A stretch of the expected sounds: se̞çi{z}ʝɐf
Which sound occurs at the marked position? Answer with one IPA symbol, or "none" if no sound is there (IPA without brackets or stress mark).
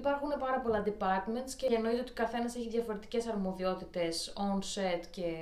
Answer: ð